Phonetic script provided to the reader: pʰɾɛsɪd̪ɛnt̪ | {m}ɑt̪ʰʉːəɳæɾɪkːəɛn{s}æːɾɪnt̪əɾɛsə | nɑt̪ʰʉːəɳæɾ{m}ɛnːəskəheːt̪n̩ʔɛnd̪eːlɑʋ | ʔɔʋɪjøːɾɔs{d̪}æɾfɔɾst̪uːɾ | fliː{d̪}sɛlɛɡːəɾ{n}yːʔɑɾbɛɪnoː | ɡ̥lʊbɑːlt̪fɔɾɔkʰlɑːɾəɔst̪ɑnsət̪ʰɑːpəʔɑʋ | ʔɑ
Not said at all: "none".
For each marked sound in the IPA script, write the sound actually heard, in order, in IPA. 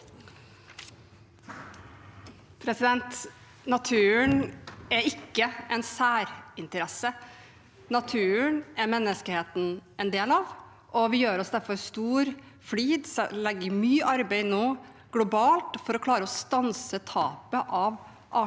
n, s, m, d̪, d̪, m

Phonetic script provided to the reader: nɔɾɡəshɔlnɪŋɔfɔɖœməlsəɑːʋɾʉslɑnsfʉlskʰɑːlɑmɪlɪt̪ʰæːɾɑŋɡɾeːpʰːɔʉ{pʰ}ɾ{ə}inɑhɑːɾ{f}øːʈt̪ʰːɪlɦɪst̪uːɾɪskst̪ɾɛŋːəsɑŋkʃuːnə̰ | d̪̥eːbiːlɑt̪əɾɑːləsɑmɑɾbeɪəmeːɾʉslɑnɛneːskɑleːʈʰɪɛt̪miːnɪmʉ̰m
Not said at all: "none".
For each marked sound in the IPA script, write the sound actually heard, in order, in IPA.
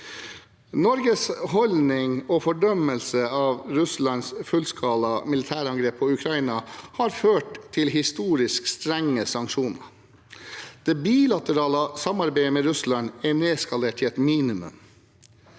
kʰ, ɑ, f

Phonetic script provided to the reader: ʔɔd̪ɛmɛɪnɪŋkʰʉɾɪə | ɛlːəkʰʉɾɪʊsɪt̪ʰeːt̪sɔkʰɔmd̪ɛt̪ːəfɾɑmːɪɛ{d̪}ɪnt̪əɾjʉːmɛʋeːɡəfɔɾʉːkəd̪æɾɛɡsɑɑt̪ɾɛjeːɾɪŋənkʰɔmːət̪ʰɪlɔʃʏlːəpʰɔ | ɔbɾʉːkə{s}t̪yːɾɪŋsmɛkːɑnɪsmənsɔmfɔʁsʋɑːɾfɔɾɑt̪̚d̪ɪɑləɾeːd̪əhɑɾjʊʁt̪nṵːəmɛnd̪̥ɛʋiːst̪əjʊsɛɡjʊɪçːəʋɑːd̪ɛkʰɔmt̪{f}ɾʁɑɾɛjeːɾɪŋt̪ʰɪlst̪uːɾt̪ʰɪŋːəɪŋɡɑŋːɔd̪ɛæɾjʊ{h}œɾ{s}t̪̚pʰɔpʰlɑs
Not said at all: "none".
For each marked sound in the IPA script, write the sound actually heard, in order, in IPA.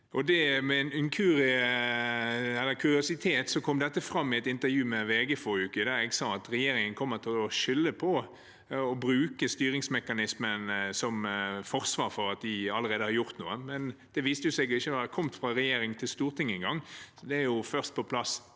t̪, s, f, f, s

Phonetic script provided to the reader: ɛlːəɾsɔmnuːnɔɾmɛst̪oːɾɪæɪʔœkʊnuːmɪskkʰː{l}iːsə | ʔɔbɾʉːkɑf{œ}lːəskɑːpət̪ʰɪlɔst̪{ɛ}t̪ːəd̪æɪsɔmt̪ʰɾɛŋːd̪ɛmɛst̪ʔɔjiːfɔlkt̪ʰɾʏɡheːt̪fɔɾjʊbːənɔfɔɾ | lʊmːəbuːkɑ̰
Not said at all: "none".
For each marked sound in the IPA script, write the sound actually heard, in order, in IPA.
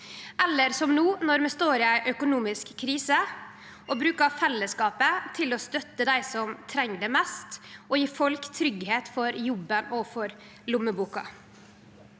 ɾ, ɛ, œ

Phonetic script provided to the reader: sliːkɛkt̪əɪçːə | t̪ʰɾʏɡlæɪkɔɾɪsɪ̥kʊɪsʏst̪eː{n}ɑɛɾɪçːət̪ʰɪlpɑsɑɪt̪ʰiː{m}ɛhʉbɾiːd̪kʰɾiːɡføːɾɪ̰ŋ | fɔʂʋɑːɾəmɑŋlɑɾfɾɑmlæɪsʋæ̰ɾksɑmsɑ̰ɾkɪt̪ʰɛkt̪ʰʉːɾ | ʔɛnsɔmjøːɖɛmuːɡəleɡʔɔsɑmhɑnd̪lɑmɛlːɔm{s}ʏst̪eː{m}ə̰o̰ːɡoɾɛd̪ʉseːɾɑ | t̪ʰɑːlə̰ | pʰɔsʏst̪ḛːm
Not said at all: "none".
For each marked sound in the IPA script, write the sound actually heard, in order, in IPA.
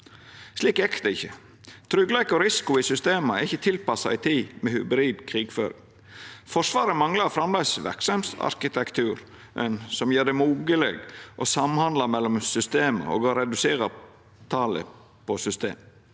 m, m, s, m

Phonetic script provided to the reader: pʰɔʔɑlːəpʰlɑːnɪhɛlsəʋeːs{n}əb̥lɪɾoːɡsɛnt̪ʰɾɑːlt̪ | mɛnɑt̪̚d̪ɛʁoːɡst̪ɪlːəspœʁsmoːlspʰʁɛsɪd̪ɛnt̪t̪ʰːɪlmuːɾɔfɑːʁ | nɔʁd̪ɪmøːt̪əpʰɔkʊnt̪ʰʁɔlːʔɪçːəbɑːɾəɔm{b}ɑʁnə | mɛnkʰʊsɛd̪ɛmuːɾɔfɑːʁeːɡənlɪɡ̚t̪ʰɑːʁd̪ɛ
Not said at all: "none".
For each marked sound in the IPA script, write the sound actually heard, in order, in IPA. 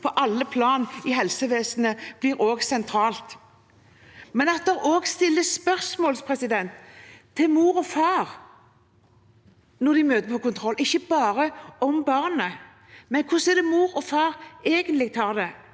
n, b

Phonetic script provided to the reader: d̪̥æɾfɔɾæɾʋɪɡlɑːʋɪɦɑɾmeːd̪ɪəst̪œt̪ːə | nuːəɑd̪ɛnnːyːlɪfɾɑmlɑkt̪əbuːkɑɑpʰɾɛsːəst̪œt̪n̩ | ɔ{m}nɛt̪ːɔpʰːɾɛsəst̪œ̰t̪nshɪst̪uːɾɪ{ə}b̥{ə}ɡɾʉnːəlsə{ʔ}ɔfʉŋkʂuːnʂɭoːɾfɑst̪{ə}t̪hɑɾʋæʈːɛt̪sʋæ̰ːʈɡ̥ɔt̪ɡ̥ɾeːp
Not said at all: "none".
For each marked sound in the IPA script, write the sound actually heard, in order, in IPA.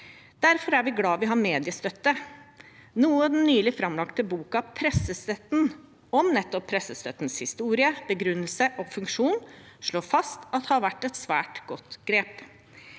m, ə, ə, ʔ, ɑ

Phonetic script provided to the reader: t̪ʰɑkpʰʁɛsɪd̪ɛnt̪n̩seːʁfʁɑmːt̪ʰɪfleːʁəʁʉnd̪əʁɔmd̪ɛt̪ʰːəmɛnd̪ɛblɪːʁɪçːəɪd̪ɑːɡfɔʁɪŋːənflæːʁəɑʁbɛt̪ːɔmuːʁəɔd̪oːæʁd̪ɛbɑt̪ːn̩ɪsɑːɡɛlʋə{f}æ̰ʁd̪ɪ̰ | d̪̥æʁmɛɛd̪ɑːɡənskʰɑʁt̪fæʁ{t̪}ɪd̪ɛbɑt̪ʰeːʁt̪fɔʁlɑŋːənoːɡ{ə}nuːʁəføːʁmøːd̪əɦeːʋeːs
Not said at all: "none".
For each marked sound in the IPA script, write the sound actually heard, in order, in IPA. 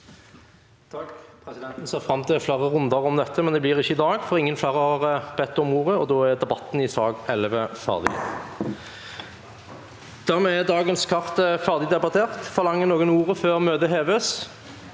f, d̪, ə

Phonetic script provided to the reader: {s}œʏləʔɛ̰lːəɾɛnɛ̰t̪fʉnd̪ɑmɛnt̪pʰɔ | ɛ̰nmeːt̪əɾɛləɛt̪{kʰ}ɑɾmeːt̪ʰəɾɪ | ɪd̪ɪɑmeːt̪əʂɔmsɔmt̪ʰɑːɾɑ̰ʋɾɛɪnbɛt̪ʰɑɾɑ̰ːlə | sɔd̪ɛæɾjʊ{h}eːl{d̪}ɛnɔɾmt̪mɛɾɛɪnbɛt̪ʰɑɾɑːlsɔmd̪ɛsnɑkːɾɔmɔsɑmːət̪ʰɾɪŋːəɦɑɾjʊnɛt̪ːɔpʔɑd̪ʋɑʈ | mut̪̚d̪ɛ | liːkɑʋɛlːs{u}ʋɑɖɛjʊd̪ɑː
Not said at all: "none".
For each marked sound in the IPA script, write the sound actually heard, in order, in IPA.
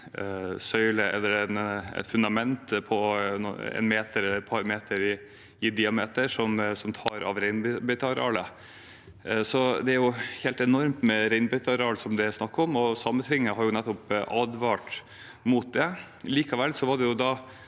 s, pʰ, h, t̪, ɔ

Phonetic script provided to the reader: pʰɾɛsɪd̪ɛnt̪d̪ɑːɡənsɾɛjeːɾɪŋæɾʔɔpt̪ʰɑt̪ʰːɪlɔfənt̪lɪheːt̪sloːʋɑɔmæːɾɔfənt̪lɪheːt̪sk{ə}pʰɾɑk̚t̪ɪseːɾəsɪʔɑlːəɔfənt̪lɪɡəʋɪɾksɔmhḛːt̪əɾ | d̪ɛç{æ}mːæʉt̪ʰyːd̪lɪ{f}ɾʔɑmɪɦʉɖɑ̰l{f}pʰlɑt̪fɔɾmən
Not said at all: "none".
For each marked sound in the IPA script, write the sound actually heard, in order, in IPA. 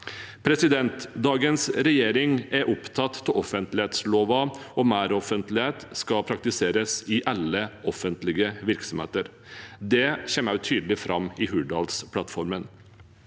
ɑ, ɛ, f, s

